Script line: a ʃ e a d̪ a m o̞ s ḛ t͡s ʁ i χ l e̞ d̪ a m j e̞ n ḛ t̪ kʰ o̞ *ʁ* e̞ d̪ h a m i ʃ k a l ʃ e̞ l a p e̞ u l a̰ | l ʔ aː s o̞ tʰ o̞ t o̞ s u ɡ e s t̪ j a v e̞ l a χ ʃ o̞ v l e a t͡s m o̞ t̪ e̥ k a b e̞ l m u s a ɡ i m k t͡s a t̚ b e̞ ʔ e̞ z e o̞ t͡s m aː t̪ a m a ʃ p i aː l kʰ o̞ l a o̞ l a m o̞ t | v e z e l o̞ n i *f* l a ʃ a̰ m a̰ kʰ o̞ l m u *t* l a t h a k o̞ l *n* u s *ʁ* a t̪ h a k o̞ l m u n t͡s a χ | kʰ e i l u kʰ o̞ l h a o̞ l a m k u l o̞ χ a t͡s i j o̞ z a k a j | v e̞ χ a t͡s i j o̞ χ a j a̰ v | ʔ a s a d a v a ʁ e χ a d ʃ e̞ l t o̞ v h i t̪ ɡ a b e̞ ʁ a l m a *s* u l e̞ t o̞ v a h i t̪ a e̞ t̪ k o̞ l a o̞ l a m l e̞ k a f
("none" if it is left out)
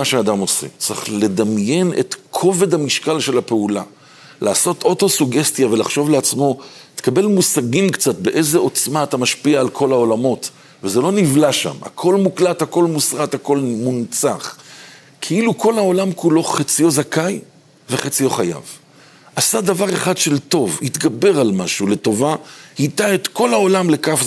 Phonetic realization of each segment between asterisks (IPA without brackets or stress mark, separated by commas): v, v, k, m, ʁ, ʃ